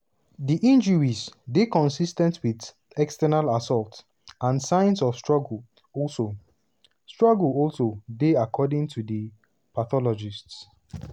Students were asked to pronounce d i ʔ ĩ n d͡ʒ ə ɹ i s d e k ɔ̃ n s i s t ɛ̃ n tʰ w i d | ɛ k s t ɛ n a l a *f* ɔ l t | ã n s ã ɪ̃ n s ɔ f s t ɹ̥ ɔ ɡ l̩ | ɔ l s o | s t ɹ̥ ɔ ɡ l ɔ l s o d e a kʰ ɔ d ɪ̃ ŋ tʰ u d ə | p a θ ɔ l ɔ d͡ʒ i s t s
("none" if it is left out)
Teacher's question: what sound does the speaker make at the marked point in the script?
s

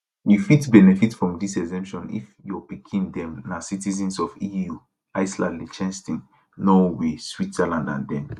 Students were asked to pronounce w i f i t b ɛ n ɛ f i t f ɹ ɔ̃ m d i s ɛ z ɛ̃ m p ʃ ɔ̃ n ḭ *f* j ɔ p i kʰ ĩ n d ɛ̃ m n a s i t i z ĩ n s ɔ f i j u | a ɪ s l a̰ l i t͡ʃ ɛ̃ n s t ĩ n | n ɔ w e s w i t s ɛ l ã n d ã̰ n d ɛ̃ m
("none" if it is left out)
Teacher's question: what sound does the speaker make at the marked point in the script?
f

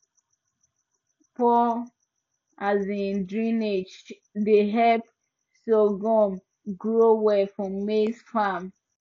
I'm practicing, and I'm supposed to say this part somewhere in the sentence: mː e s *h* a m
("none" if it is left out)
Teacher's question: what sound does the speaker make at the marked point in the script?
f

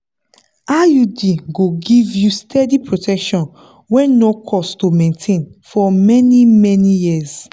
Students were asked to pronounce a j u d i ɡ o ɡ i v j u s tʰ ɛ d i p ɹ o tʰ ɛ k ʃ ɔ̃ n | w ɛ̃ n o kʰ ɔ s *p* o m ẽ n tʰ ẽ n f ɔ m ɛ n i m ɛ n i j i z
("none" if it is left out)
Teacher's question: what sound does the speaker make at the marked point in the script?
t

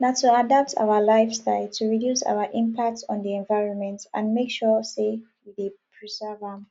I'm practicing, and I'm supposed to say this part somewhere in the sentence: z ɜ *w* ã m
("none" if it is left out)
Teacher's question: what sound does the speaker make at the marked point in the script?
v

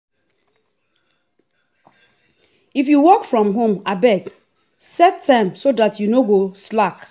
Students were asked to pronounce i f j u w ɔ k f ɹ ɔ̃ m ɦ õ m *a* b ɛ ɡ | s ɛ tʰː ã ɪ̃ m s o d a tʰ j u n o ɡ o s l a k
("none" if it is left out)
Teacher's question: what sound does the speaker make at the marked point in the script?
a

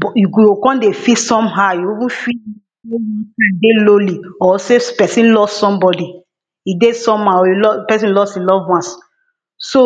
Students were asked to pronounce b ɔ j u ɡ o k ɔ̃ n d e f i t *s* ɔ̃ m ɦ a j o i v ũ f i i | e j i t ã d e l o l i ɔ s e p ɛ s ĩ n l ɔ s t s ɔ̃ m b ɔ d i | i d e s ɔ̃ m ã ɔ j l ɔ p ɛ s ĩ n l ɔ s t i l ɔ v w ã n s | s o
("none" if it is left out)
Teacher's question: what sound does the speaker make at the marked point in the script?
s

